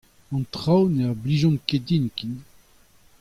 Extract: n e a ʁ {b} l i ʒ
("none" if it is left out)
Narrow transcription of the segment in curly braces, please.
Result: b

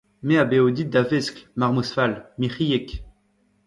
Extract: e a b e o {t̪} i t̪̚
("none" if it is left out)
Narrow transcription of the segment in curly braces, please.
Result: d̪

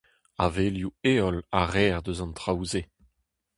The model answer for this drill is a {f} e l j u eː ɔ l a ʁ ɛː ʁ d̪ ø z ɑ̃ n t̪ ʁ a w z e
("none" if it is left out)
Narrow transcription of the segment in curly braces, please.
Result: v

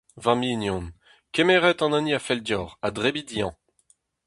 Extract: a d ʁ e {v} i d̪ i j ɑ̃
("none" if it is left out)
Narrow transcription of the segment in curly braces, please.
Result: b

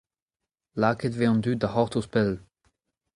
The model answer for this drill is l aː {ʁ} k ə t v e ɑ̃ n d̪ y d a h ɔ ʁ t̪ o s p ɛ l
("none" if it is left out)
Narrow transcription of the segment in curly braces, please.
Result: none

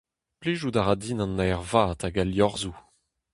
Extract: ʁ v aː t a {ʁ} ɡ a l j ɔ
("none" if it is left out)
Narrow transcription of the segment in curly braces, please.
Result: none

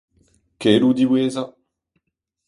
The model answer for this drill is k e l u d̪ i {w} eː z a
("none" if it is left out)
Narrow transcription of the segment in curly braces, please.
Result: w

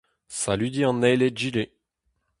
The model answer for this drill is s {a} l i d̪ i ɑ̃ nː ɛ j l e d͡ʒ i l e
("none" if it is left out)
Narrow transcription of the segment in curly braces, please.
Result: a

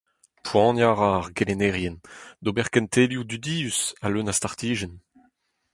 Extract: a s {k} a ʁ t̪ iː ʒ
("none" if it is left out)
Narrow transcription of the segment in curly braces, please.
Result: t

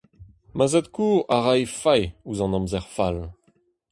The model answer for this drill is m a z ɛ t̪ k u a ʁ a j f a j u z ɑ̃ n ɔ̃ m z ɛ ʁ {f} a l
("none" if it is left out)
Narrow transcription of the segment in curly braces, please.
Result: f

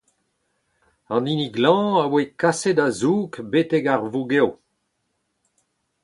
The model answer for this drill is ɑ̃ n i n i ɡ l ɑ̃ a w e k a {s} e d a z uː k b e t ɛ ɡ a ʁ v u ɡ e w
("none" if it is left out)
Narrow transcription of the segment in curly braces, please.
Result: s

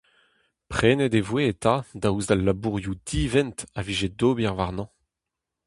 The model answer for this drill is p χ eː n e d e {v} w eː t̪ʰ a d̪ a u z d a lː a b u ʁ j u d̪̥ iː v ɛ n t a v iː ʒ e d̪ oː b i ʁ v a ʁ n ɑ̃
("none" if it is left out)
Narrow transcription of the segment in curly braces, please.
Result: v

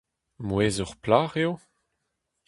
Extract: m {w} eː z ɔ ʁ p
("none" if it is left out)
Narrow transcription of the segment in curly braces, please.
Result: w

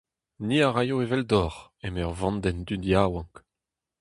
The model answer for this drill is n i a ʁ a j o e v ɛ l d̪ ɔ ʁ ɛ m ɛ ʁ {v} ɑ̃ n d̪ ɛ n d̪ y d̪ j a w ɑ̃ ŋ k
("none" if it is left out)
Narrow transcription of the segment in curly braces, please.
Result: v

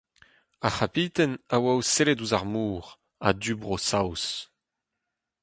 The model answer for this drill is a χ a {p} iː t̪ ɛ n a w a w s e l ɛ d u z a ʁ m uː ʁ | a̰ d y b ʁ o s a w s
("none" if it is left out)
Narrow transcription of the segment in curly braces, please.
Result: p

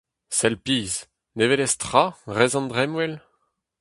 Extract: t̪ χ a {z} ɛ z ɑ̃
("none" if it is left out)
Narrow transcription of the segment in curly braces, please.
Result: ʁ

